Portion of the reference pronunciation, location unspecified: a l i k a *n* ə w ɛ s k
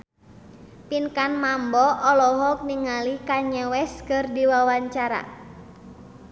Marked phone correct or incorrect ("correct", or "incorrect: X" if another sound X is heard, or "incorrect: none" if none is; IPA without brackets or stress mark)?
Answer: incorrect: ɲ